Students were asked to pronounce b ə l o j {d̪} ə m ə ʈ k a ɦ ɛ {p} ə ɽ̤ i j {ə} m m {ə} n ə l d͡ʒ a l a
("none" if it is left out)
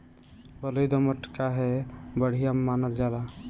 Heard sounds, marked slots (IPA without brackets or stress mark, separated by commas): d̪, b, a, a